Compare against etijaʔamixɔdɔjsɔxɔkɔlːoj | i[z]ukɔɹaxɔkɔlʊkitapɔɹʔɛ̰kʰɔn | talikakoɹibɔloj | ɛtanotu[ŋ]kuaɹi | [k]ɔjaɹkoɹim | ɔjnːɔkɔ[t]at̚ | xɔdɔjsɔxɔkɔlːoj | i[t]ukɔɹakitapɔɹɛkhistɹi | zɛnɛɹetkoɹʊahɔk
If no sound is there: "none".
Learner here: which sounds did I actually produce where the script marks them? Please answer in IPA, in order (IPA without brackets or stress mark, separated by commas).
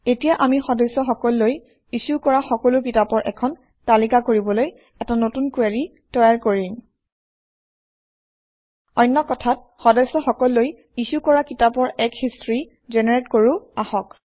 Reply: s, n, t, tʰ, s